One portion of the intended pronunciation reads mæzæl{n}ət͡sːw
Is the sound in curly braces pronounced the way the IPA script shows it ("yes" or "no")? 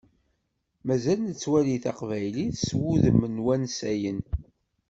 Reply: yes